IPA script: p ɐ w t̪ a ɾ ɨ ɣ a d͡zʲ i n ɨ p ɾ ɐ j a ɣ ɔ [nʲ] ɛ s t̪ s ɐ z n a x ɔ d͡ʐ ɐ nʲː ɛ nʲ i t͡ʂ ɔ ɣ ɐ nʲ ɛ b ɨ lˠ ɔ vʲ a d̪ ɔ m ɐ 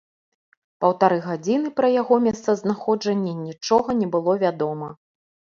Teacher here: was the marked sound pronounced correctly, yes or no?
no